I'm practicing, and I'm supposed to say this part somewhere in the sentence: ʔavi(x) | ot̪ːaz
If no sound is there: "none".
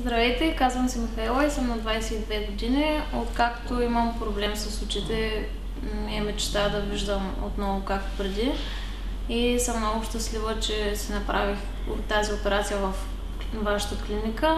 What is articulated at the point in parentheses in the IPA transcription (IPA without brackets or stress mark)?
x